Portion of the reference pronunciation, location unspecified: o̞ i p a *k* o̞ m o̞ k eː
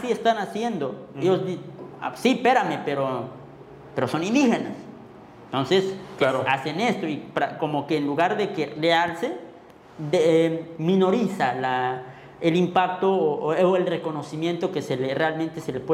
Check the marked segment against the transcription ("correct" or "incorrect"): correct